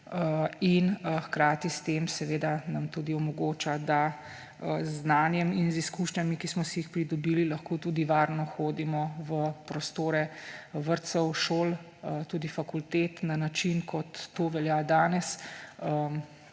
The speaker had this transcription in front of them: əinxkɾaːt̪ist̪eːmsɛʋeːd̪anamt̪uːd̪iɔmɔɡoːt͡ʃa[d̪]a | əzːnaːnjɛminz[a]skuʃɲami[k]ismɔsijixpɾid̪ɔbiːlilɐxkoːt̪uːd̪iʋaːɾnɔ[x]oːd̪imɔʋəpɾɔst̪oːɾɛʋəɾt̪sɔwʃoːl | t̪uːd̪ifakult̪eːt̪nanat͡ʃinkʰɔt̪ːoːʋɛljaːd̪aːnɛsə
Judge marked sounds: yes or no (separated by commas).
yes, no, yes, yes